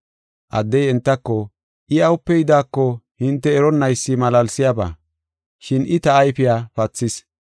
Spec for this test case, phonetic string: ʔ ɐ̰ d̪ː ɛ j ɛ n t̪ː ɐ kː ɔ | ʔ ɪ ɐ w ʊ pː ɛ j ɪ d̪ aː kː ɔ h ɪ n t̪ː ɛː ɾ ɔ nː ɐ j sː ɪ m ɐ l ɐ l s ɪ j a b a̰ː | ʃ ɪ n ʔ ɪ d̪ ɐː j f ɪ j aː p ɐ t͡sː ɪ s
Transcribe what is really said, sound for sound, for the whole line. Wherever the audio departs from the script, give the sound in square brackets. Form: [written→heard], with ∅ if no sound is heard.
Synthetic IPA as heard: ʔ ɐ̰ d̪ː ɛ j ɛ n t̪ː ɐ kː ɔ | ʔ ɪ ɐ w ʊ pː ɛ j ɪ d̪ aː kː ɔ h ɪ n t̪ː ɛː ɾ ɔ nː ɐ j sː ɪ m ɐ l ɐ l s ɪ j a b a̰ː | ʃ ɪ n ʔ ɪ [d̪→t̪] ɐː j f ɪ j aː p ɐ t͡sː ɪ s